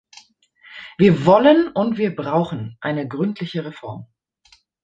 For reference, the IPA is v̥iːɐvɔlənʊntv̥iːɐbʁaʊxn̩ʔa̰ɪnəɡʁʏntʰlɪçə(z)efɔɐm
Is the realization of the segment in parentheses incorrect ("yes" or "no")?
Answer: yes